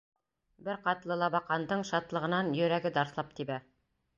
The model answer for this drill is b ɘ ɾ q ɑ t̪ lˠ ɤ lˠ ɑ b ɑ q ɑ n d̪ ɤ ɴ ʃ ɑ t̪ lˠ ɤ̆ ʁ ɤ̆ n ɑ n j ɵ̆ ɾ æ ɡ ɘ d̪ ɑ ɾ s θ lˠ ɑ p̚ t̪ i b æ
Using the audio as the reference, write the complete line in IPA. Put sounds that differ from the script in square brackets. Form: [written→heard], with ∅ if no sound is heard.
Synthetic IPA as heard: b ɘ ɾ q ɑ t̪ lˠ ɤ lˠ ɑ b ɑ q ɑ n d̪ ɤ ɴ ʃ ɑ t̪ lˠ ɤ̆ ʁ ɤ̆ n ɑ n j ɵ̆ ɾ æ ɡ ɘ d̪ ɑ ɾ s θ lˠ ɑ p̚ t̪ i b æ

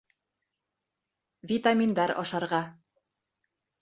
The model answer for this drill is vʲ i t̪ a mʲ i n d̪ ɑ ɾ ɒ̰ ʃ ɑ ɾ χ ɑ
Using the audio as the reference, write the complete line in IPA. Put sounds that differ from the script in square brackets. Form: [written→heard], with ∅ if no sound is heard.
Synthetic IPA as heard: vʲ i t̪ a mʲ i n d̪ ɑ ɾ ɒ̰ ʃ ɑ ɾ [χ→ʁ] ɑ

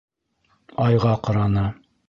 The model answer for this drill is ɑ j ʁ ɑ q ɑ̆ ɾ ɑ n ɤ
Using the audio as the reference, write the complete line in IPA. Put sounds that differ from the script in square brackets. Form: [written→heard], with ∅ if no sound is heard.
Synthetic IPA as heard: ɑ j ʁ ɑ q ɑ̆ ɾ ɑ n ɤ

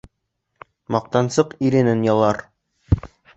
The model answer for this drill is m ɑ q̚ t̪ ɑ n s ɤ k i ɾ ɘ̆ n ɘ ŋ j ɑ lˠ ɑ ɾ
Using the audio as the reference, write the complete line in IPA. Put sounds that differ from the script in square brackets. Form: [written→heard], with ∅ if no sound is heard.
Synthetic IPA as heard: m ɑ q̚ t̪ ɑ n s ɤ [k→q] i ɾ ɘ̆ n ɘ [ŋ→n] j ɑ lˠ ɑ ɾ

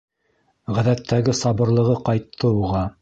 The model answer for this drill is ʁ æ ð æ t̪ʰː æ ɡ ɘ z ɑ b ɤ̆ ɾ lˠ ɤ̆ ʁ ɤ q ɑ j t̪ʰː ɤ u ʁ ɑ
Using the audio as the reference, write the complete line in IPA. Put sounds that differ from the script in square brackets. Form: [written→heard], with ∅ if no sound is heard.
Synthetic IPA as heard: ʁ æ ð æ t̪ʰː æ ɡ ɘ [z→s] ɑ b ɤ̆ ɾ lˠ ɤ̆ ʁ ɤ q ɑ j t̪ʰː ɤ u ʁ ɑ

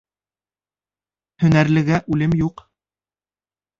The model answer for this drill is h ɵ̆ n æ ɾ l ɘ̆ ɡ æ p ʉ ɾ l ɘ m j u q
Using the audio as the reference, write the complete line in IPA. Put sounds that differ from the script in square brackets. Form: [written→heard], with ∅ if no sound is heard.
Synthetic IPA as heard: h ɵ̆ n æ ɾ l ɘ̆ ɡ æ [p→ʔ] ʉ [ɾ→∅] l ɘ m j u q

